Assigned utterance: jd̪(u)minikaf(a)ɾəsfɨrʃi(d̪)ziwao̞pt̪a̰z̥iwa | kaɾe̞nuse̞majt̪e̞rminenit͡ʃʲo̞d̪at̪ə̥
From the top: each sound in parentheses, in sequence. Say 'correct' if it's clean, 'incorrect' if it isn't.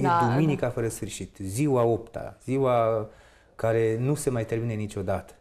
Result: correct, incorrect: ə, incorrect: t̪

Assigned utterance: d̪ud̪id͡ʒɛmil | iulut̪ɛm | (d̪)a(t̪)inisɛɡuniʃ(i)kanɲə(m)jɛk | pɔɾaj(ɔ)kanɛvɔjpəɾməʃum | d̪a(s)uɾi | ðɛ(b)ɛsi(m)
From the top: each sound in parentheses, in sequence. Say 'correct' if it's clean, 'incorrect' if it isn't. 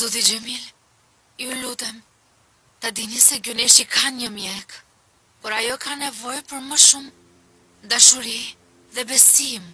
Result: incorrect: t̪, incorrect: d̪, correct, correct, correct, incorrect: ʃ, correct, correct

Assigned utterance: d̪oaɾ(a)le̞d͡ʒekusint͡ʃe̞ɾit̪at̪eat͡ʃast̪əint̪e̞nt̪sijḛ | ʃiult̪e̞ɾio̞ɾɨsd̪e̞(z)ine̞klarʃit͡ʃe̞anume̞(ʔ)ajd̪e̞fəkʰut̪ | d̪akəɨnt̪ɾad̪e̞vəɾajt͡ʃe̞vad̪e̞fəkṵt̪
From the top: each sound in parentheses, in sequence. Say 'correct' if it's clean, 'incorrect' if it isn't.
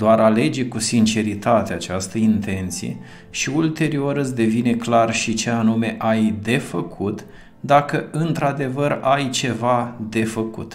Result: correct, incorrect: v, correct

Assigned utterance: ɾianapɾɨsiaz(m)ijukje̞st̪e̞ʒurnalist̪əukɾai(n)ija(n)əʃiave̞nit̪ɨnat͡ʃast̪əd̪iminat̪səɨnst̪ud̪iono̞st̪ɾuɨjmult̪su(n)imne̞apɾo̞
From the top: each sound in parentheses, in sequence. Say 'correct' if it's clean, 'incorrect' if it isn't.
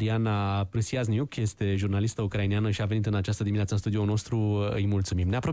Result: incorrect: n, correct, correct, incorrect: m

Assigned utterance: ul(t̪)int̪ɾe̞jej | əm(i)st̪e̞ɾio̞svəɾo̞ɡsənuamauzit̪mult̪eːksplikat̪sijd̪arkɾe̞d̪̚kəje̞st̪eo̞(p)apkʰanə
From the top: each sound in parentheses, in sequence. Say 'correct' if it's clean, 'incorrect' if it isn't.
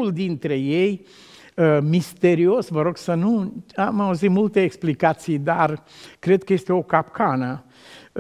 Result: incorrect: d̪, correct, incorrect: k

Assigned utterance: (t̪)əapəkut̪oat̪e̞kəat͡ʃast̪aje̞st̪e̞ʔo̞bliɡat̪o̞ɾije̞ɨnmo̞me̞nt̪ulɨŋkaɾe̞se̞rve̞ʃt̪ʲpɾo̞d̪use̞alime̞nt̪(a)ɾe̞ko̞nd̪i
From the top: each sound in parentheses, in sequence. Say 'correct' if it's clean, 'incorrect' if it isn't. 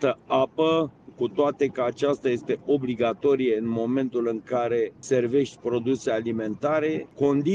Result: correct, correct

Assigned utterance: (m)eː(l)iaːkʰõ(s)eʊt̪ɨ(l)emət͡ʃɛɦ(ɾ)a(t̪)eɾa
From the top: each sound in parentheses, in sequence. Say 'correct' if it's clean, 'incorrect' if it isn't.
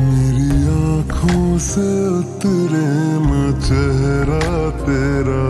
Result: correct, incorrect: ɾ, correct, incorrect: ɾ, correct, correct

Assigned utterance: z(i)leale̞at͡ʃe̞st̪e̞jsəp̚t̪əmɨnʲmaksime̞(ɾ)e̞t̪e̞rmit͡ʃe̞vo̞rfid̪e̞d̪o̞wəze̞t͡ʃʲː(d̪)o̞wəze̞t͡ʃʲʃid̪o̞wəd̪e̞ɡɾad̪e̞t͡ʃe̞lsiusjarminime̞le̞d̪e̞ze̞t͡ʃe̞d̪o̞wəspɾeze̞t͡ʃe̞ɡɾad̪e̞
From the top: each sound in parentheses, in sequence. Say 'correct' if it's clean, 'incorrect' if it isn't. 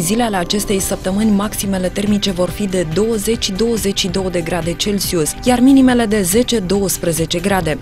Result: correct, incorrect: l, correct

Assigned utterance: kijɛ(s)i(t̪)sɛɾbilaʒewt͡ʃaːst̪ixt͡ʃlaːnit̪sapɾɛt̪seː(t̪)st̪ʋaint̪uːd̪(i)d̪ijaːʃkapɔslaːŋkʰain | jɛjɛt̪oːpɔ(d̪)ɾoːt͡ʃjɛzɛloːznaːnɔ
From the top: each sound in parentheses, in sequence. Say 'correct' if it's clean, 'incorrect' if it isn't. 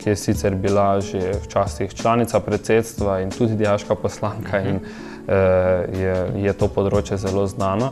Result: correct, correct, correct, correct, correct

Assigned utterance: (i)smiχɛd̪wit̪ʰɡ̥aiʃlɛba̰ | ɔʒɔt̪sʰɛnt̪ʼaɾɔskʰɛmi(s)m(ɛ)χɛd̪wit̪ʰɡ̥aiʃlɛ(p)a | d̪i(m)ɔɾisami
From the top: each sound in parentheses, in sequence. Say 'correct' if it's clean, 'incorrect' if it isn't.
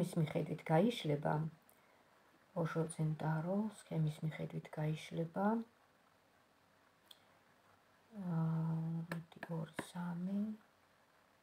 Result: correct, correct, incorrect: i, incorrect: b, incorrect: none

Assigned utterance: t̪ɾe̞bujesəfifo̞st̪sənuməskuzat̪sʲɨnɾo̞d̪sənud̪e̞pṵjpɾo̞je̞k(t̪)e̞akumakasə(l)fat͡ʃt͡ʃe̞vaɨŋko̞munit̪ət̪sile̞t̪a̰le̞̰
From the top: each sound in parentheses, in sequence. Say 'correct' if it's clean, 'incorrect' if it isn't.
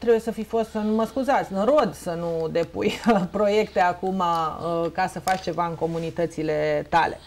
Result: correct, incorrect: none

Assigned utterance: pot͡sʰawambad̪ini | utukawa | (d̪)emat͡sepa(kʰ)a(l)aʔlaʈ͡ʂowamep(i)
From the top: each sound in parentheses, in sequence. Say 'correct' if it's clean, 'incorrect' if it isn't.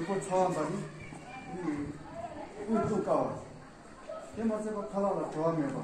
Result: incorrect: t̪, correct, correct, incorrect: a

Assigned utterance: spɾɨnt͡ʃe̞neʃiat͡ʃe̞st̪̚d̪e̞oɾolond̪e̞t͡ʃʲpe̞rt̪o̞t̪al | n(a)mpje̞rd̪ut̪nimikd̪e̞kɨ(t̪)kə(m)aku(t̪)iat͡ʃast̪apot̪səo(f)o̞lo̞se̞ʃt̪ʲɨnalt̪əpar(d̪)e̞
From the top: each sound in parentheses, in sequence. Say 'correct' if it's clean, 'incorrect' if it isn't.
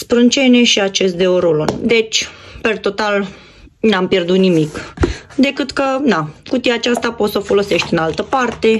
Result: correct, correct, incorrect: n, correct, correct, incorrect: t̪

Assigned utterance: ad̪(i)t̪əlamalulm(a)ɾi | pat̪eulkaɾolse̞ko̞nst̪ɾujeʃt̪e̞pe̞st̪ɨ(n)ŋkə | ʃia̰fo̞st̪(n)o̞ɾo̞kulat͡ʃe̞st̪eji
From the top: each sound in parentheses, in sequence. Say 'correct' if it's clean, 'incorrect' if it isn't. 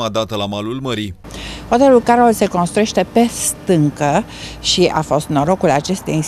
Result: incorrect: a, incorrect: ə, incorrect: none, correct

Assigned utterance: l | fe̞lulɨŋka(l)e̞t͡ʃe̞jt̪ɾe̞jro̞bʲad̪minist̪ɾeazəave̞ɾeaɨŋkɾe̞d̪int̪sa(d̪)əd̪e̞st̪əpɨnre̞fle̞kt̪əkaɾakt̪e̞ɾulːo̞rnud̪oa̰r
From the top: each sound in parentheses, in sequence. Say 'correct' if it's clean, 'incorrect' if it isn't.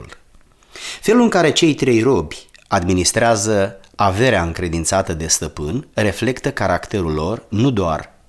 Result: incorrect: ɾ, incorrect: t̪

